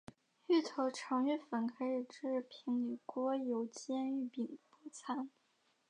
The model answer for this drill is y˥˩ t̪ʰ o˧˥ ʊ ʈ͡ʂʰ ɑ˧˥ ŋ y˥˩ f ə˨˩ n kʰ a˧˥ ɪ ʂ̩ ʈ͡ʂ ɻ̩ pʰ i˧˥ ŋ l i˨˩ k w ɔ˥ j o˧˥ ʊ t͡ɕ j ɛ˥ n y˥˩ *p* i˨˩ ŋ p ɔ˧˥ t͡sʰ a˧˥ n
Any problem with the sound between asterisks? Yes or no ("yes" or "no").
no